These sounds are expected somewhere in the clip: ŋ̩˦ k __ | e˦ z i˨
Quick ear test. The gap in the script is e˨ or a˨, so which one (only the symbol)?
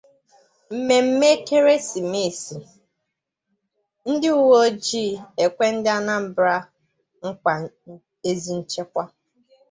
a˨